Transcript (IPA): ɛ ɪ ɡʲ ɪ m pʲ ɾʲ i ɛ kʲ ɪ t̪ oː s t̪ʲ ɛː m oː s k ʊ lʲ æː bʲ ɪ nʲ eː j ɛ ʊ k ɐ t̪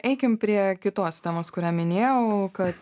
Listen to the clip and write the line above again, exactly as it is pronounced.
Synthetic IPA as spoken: ɛ ɪ kʲ ɪ m pʲ ɾʲ i ɛ kʲ ɪ t̪ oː s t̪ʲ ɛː m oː s k ʊ ɾʲ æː mʲ ɪ nʲ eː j ɛ ʊ k ɐ t̪

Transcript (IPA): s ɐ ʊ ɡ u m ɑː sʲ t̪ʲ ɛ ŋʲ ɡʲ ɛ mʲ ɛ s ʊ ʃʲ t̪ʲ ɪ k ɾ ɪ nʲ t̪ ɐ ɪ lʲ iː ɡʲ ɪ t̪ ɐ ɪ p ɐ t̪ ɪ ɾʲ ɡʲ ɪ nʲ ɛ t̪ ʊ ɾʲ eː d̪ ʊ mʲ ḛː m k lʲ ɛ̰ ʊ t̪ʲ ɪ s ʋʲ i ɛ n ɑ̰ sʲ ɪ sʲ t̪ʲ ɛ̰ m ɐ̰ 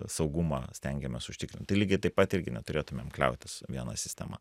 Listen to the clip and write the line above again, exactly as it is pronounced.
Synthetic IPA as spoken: s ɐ ʊ ɡ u m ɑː sʲ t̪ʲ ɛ ŋʲ ɡʲ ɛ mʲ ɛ s ʊ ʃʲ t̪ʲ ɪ k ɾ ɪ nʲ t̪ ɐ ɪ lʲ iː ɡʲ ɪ t̪ ɐ ɪ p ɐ t̪ ɪ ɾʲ ɡʲ ɪ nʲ ɛ t̪ ʊ ɾʲ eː t̪ ʊ mʲ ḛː m k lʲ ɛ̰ ʊ t̪ʲ ɪ s ʋʲ i ɛ n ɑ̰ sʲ ɪ sʲ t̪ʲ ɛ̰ m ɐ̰

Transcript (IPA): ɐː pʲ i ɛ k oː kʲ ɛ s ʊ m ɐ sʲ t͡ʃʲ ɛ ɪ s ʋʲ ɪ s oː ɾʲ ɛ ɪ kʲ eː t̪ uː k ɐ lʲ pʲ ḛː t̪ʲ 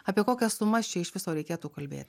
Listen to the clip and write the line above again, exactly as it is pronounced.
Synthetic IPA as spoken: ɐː pʲ i ɛ k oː kʲ ɛ s ʊ m ɐ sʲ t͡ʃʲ ɛ ɪ ʃ ʋʲ ɪ s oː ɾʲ ɛ ɪ kʲ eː t̪ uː k ɐ lʲ bʲ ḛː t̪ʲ

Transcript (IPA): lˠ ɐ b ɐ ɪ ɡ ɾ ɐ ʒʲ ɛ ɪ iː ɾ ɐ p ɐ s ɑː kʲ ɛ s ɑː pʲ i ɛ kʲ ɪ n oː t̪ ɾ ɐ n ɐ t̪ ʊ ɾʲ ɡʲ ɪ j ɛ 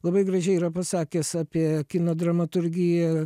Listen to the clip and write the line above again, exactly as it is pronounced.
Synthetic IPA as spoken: lˠ ɐ b ɐ ɪ ɡ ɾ ɐ ʒʲ ɛ ɪ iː ɾ ɐ p ɐ s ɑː kʲ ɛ s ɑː pʲ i ɛ kʲ ɪ n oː d̪ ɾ ɐ m ɐ t̪ ʊ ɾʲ ɡʲ ɪ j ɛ

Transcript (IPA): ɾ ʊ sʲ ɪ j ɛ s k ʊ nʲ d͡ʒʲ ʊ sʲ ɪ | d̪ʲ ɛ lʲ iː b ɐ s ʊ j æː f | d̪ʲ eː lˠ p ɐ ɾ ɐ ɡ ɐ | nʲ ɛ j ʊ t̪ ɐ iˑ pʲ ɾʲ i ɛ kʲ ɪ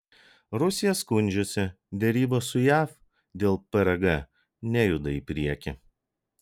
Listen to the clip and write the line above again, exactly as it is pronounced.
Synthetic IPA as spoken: ɾ ʊ sʲ ɪ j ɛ s k ʊ nʲ d͡ʒʲ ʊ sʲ ɪ | d̪ʲ ɛ ɾʲ iː b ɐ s ʊ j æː f | d̪ʲ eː lˠ p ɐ ɾ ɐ ɡ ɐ | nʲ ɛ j ʊ d̪ ɐ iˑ pʲ ɾʲ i ɛ kʲ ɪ

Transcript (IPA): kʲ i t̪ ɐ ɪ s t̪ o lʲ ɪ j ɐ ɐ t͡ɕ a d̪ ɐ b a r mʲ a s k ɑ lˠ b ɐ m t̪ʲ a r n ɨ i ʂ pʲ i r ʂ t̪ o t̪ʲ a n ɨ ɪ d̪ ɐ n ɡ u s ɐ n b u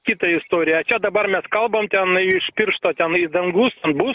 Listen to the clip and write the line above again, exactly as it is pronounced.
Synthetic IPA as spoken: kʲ i t̪ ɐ ɪ s t̪ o ɾʲ ɪ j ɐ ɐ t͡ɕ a d̪ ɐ b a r mʲ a s k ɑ lˠ b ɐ m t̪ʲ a n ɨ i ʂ pʲ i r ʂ t̪ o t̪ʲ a n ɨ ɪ d̪ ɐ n ɡ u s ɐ n b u

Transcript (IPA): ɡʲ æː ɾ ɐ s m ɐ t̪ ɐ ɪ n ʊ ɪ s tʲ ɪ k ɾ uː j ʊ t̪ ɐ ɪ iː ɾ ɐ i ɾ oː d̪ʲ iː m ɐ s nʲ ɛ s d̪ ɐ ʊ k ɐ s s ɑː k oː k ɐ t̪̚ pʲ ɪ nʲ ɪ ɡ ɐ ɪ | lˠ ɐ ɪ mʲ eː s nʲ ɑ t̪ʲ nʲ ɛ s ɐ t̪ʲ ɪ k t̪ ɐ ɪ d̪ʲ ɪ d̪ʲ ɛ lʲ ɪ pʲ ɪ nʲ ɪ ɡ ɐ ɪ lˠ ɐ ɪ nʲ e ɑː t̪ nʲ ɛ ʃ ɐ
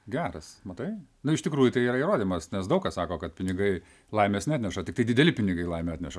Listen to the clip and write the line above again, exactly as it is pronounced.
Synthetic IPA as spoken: ɡʲ æː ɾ ɐ s m ɐ t̪ ɐ ɪ n ʊ ɪ ʃ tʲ ɪ k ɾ uː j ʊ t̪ ɐ ɪ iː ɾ ɐ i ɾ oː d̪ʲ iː m ɐ s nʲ ɛ s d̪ ɐ ʊ k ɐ s s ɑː k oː k ɐ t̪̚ pʲ ɪ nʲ ɪ ɡ ɐ ɪ | lˠ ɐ ɪ mʲ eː s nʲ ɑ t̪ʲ nʲ ɛ ʃ ɐ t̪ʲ ɪ k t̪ ɐ ɪ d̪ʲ ɪ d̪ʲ ɛ lʲ ɪ pʲ ɪ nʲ ɪ ɡ ɐ ɪ lˠ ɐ ɪ mʲ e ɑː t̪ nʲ ɛ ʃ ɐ

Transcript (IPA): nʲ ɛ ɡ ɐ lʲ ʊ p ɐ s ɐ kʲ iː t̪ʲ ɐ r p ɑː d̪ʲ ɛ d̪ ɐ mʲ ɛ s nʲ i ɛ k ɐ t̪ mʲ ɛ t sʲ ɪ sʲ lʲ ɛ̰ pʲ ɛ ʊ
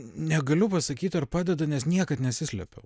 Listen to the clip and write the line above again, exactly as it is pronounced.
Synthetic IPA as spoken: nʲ ɛ ɡ ɐ lʲ ʊ p ɐ s ɐ kʲ iː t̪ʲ ɐ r p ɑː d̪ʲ ɛ d̪ ɐ nʲ ɛ s nʲ i ɛ k ɐ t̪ nʲ ɛ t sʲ ɪ sʲ lʲ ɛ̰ pʲ ɛ ʊ

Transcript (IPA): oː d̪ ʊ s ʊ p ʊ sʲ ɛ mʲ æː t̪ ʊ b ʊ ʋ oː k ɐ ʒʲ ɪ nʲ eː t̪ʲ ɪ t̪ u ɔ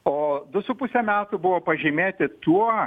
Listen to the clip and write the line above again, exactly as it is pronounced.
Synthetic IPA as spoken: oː d̪ ʊ s ʊ p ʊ sʲ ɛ mʲ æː t̪ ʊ b ʊ ʋ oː p ɐ ʒʲ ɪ mʲ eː t̪ʲ ɪ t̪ u ɔ

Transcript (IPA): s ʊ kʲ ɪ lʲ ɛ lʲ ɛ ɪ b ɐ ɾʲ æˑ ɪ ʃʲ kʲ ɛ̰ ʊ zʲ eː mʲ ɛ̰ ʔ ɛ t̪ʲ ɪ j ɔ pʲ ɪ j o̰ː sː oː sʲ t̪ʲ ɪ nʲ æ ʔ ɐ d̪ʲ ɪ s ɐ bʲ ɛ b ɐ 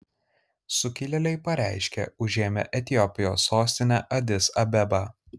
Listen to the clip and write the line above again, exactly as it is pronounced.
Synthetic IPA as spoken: s ʊ kʲ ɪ lʲ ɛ lʲ ɛ ɪ p ɐ ɾʲ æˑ ɪ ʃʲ kʲ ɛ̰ ʊ ʒʲ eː mʲ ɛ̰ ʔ ɛ t̪ʲ ɪ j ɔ pʲ ɪ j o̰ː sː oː sʲ t̪ʲ ɪ nʲ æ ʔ ɐ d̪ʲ ɪ s ɐ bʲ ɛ b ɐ

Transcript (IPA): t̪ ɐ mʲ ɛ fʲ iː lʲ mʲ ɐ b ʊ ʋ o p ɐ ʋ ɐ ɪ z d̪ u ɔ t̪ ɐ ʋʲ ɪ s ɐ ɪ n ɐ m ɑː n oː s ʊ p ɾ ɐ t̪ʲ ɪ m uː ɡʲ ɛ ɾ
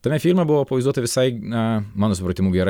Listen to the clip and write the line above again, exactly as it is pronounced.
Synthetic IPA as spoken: t̪ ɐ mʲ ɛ fʲ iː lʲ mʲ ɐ b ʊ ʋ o p ɐ ʋ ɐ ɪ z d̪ u ɔ t̪ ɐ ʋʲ ɪ s ɐ ɪ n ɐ m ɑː n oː s ʊ p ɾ ɐ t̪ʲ ɪ m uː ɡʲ ɛ ɾ

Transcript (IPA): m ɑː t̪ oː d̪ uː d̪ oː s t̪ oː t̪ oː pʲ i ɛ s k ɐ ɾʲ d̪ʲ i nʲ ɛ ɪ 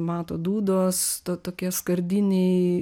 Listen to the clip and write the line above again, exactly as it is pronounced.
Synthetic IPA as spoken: m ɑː t̪ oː d̪ uː d̪ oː s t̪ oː t̪ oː kʲ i ɛ s k ɐ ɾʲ d̪ʲ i nʲ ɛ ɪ

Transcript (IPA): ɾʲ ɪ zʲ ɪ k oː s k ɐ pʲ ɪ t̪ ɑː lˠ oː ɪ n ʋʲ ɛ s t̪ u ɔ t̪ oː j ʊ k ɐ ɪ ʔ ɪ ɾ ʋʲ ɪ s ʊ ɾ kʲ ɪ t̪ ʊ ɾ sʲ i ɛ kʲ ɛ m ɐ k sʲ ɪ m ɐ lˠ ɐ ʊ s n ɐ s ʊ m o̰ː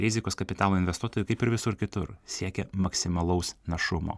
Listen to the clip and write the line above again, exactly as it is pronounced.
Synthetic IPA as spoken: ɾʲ ɪ zʲ ɪ k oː s k ɐ pʲ ɪ t̪ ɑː lˠ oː ɪ n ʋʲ ɛ s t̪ u ɔ t̪ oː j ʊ k ɐ ɪ p ɪ ɾ ʋʲ ɪ s ʊ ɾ kʲ ɪ t̪ ʊ ɾ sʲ i ɛ kʲ ɛ m ɐ k sʲ ɪ m ɐ lˠ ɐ ʊ s n ɐ ʃ ʊ m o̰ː

